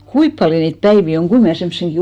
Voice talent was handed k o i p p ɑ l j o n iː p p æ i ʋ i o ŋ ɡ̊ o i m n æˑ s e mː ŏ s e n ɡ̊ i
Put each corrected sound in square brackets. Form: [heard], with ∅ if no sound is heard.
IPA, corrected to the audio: k [u] i p p ɑ l j o n iː [t] p æ i ʋ i o ŋ ɡ̊ [u] i m n æˑ s e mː ŏ s e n ɡ̊ i